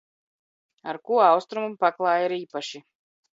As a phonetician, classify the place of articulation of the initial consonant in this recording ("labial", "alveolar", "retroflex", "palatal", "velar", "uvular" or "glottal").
alveolar